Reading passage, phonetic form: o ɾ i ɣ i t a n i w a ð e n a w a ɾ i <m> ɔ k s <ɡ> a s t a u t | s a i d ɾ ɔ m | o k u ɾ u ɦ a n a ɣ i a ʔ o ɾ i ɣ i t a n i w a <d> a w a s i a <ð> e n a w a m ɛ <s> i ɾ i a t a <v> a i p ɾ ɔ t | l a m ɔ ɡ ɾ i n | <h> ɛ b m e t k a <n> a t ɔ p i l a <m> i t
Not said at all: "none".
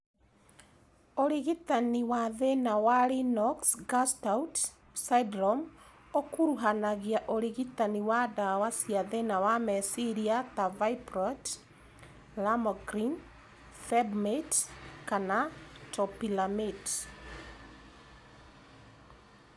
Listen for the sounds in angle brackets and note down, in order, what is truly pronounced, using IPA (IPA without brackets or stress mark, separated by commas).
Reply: n, ɡ, d, ð, s, v, f, n, m